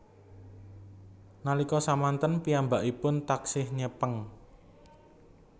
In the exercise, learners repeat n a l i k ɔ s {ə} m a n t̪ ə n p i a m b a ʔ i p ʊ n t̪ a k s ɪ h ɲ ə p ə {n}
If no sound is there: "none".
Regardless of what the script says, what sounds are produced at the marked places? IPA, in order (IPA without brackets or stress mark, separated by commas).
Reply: a, ŋ